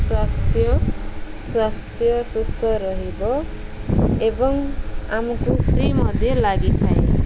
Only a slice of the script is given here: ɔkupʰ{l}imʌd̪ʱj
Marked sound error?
yes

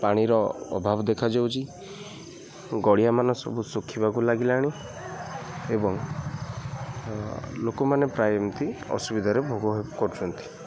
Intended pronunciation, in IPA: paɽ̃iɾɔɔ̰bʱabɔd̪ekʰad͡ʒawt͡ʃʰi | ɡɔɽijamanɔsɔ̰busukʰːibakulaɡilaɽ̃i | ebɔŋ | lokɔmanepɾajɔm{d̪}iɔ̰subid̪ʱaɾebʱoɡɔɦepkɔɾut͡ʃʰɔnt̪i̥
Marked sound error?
yes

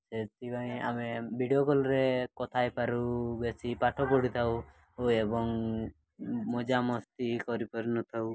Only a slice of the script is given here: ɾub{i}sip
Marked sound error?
yes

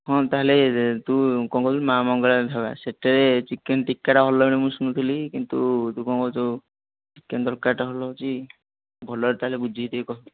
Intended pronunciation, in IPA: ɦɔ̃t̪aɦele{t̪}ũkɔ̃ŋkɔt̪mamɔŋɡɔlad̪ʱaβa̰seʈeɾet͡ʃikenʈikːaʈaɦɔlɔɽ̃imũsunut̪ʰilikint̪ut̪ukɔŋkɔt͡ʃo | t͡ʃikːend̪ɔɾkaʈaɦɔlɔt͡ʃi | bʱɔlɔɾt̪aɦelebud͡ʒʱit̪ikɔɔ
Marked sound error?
no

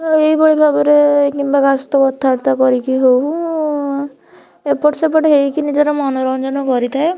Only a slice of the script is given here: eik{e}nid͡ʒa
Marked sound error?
yes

